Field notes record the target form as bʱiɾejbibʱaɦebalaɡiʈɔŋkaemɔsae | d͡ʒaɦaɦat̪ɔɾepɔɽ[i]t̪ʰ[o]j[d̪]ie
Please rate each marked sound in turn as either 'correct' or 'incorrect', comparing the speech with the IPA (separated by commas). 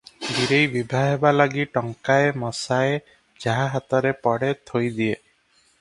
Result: incorrect, correct, correct